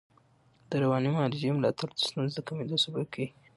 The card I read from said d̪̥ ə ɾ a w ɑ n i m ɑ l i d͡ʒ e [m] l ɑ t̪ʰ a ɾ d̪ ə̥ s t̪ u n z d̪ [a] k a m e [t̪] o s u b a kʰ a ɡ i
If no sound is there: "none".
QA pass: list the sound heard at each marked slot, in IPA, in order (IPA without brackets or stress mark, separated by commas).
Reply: m, ə, d̪